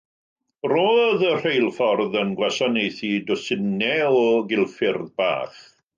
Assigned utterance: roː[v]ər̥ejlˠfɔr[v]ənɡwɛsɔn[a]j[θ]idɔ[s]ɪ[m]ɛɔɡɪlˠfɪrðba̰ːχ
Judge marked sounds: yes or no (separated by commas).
no, no, no, yes, yes, no